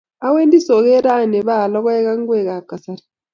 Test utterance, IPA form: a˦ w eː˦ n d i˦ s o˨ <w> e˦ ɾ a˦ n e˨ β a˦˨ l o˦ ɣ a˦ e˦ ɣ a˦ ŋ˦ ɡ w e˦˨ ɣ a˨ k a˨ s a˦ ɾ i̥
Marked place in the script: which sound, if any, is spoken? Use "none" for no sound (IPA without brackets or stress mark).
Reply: ɣ